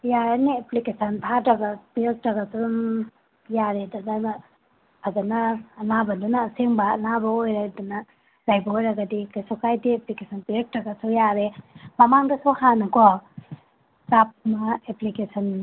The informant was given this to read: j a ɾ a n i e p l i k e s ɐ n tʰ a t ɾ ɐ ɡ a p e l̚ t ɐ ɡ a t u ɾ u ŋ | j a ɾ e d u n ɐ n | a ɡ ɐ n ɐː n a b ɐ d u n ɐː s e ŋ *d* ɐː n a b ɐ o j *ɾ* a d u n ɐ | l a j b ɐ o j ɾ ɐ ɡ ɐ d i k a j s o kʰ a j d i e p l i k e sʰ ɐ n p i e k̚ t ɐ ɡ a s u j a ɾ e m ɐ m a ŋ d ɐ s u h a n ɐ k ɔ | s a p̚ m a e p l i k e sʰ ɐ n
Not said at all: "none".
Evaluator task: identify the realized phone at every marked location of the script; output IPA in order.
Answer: b, ɾ

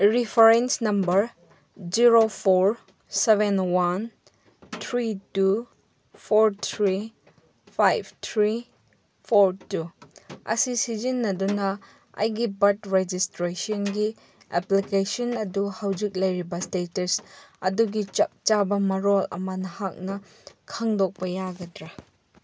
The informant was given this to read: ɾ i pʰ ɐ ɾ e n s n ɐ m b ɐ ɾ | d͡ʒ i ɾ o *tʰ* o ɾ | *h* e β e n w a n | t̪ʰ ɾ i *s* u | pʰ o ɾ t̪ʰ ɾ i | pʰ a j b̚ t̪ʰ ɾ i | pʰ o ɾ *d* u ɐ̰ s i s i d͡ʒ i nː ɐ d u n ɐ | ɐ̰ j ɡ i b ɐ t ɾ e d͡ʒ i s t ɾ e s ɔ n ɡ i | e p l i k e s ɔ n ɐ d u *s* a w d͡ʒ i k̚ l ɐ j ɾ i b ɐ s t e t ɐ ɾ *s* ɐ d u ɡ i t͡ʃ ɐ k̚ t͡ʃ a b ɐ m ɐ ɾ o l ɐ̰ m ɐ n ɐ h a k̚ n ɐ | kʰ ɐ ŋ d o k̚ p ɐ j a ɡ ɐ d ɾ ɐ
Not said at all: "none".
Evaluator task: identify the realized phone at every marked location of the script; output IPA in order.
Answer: pʰ, s, t, t, h, s

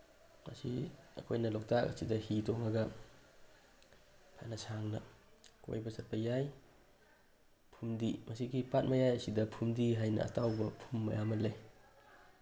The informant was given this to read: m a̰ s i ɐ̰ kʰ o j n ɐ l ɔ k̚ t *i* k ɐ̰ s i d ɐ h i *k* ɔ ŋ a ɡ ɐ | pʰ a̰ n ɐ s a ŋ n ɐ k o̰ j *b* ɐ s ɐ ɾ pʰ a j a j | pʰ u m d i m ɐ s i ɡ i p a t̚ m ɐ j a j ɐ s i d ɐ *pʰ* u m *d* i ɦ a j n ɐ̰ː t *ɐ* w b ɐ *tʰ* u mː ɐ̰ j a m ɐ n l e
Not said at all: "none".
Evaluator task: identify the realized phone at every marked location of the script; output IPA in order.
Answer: a, t, b, pʰ, d, a, pʰ

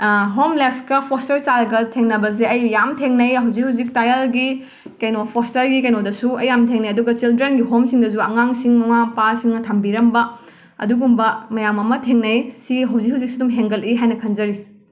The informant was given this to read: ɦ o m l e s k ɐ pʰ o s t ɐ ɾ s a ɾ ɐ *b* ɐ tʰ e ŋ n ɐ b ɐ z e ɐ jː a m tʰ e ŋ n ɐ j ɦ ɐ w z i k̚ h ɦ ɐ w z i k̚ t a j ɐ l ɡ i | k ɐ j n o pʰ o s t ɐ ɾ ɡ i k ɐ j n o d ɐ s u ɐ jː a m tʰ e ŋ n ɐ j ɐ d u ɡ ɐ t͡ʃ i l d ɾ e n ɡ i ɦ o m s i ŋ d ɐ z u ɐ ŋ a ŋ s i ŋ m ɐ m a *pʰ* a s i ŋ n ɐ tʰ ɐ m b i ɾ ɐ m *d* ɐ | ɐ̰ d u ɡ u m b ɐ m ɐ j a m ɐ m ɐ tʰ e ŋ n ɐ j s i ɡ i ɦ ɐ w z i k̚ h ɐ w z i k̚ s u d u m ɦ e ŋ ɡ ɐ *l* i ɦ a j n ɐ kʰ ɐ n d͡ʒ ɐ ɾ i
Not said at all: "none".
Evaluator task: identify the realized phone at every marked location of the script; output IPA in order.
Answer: ɡ, p, b, l

